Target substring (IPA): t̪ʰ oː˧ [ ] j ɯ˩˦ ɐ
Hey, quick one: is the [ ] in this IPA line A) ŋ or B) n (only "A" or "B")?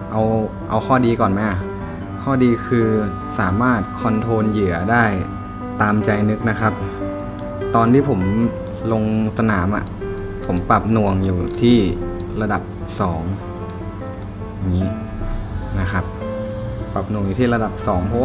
B